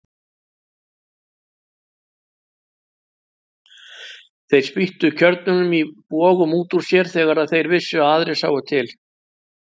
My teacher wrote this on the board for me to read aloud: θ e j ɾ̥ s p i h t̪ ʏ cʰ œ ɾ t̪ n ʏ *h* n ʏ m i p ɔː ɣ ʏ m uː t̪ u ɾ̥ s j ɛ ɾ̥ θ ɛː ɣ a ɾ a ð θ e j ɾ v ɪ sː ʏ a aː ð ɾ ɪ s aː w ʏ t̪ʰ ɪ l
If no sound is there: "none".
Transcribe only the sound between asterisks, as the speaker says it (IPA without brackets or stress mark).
none